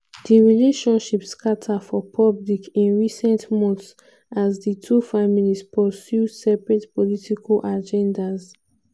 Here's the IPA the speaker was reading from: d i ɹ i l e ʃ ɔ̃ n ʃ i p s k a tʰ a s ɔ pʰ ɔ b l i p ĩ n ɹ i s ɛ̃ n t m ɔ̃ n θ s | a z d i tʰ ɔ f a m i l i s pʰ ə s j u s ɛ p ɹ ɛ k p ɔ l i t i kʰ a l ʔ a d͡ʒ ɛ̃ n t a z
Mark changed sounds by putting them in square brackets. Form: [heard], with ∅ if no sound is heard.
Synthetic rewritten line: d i ɹ i l e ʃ ɔ̃ n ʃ i p s k a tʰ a [f] ɔ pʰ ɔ b l i [k] ĩ n ɹ i s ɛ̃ n t m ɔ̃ n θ s | a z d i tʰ [u] f a m i l i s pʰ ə s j u s ɛ p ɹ ɛ [t] p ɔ l i t i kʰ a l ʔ a d͡ʒ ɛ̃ n [d] a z